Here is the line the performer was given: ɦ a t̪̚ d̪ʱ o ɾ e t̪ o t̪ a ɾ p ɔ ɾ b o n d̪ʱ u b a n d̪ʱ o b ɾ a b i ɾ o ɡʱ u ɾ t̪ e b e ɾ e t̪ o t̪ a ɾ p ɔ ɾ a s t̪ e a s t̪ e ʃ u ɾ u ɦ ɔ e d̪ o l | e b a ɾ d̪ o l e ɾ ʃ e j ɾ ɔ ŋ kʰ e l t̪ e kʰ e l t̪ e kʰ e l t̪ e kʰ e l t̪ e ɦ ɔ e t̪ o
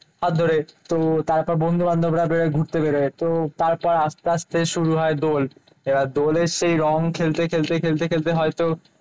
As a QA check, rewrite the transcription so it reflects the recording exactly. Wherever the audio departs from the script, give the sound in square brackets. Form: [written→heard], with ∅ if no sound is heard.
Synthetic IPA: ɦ a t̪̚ d̪ʱ o ɾ e t̪ o t̪ a ɾ p ɔ ɾ b o n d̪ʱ u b a n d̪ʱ o b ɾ a b [i→e] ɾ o ɡʱ u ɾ t̪ e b e ɾ e t̪ o t̪ a ɾ p ɔ ɾ a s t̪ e a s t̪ e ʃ u ɾ u ɦ ɔ e d̪ o l | e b a ɾ d̪ o l e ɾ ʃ e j ɾ ɔ ŋ kʰ e l t̪ e kʰ e l t̪ e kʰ e l t̪ e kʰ e l t̪ e ɦ ɔ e t̪ o